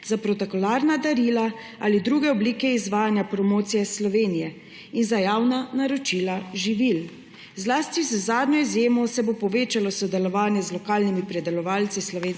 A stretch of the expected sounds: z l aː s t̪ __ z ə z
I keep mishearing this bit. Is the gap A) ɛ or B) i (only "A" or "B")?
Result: B